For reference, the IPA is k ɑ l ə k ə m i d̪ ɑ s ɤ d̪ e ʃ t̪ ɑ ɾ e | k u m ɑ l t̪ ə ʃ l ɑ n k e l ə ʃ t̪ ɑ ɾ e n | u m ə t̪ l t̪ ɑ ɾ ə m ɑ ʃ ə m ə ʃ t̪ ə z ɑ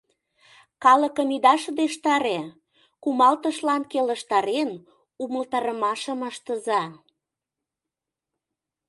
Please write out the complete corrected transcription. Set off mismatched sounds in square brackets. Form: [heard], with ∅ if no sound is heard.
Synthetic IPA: k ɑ l ə k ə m i d̪ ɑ [ʃ] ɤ d̪ e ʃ t̪ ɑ ɾ e | k u m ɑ l t̪ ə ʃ l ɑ n k e l ə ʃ t̪ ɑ ɾ e n | u m ə [∅] l t̪ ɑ ɾ ə m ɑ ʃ ə m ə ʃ t̪ ə z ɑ